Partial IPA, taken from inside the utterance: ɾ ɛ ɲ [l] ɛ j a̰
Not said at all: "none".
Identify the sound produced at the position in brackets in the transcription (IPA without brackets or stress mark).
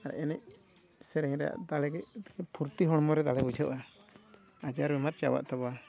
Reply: ɾ